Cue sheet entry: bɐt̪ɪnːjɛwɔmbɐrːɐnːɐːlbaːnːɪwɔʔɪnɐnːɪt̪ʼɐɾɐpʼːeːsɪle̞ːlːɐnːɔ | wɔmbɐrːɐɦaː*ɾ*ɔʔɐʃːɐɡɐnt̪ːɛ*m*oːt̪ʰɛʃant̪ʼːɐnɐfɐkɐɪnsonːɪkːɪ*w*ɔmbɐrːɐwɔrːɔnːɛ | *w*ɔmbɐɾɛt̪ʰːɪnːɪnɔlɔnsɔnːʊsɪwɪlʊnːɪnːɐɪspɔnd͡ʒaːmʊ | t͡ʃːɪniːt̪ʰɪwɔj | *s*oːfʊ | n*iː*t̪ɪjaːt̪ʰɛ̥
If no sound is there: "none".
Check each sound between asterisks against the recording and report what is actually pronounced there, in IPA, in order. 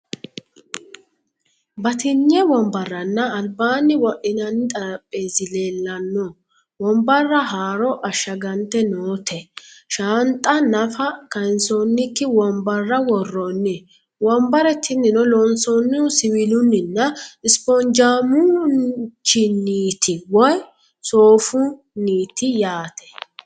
ɾ, n, w, w, s, iː

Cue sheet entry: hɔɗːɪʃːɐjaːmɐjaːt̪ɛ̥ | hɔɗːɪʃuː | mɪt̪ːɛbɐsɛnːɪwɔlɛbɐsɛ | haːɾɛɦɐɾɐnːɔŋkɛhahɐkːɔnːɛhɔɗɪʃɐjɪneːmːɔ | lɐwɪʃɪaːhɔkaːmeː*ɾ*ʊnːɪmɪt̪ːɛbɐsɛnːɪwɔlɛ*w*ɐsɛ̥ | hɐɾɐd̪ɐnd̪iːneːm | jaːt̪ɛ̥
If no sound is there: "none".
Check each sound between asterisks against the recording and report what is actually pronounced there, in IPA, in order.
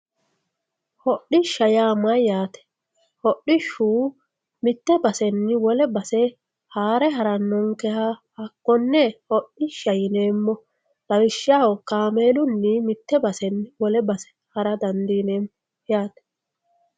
l, b

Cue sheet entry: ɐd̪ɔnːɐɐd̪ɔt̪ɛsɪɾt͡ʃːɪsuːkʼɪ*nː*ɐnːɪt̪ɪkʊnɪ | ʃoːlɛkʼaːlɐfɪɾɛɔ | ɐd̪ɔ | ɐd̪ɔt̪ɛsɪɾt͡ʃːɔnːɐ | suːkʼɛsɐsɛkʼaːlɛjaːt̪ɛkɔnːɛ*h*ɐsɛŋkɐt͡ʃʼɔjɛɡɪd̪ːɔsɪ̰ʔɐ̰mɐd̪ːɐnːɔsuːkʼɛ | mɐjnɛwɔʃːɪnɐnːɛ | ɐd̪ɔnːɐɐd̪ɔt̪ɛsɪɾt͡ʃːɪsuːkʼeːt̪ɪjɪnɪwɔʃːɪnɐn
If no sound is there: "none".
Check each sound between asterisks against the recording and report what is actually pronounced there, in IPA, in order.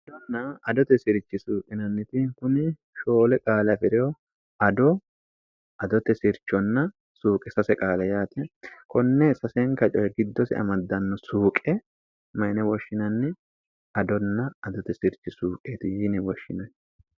n, s

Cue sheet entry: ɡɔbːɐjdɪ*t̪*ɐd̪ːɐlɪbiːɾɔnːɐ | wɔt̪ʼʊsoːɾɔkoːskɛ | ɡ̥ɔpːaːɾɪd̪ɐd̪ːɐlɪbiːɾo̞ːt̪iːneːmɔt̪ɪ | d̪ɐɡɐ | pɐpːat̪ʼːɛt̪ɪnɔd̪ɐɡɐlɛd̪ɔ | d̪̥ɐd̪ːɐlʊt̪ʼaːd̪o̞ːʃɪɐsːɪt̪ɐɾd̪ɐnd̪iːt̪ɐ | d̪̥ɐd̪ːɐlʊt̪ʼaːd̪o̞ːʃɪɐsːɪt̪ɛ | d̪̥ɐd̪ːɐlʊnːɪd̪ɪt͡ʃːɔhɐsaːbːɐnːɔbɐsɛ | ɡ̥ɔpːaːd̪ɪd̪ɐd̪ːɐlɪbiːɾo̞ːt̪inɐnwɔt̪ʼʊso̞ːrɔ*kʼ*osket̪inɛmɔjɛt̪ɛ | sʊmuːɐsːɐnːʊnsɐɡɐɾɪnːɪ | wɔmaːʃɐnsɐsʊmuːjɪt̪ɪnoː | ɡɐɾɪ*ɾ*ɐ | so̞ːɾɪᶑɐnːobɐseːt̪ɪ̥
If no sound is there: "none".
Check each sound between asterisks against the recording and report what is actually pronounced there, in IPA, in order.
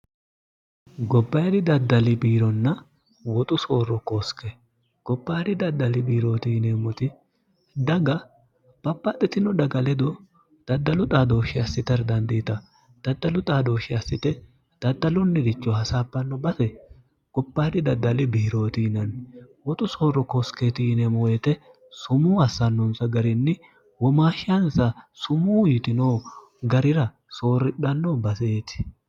d̪, k, ɾ

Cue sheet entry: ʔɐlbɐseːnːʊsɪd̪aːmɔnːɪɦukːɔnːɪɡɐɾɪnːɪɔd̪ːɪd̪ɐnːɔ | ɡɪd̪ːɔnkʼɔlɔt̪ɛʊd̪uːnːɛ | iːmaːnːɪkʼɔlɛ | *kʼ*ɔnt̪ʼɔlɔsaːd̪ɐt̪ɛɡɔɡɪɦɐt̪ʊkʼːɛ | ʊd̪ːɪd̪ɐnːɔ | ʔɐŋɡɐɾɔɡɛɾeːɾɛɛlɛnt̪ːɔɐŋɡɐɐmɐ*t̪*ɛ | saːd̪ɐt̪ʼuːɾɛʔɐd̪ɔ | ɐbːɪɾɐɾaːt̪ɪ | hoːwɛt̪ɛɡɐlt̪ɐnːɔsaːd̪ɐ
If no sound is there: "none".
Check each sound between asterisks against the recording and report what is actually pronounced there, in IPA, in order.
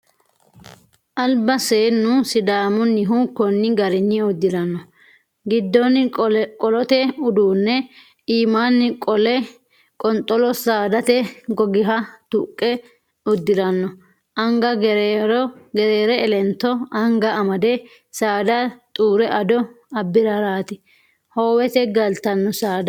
kʼ, d̪

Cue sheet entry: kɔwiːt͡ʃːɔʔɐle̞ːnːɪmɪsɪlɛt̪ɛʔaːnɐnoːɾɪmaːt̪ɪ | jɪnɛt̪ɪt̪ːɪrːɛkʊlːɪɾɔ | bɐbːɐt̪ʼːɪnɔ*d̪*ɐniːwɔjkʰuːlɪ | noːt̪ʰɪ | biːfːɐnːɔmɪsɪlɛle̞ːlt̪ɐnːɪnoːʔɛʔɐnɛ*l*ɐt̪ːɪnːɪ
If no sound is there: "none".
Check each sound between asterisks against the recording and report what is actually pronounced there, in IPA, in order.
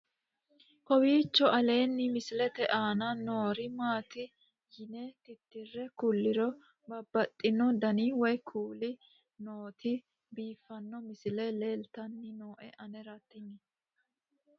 d̪, ɾ

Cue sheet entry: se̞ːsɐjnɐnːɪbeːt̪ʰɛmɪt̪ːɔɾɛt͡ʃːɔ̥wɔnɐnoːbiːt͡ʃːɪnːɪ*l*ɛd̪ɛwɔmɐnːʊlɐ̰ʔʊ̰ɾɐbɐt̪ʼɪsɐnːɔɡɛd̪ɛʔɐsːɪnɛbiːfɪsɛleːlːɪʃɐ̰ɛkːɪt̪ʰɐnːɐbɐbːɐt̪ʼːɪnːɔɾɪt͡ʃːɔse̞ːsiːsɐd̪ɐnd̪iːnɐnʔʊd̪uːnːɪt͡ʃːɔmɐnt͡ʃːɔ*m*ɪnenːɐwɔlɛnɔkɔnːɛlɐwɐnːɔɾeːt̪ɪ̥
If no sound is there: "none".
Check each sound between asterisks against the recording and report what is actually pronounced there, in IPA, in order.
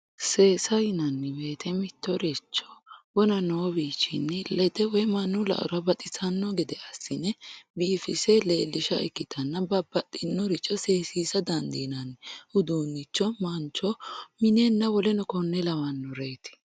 l, m

